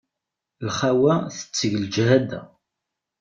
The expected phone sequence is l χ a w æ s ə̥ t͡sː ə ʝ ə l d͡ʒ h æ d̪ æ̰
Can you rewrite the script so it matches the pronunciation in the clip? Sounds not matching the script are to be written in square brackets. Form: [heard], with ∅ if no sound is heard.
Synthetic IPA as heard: l χ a w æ [θ] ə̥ t͡sː ə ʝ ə l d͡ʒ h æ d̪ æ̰